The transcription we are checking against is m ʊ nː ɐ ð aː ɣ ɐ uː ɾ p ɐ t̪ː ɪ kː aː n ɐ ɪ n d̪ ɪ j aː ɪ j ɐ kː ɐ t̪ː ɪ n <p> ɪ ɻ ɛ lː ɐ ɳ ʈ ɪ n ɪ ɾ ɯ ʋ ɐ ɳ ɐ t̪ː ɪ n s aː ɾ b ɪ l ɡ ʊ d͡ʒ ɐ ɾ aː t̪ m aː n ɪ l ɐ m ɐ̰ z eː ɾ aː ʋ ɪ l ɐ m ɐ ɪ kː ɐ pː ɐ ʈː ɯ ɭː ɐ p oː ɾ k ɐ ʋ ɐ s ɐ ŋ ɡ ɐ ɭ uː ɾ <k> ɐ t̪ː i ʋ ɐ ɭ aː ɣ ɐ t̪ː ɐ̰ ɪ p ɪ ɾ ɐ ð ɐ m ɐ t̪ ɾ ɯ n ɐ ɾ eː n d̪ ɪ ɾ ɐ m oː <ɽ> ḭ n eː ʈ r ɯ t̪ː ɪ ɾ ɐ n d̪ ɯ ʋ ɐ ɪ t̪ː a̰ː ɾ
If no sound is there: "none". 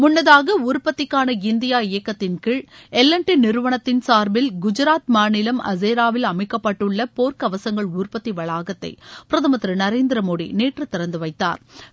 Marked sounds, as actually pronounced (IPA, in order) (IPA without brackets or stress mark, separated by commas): k, p, ɽ